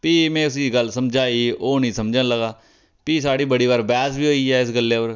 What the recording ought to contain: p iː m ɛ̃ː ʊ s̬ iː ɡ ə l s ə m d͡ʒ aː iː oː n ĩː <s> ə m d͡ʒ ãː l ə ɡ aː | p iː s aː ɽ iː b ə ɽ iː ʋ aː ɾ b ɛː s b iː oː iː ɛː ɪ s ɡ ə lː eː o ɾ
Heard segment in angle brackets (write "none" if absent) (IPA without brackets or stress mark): s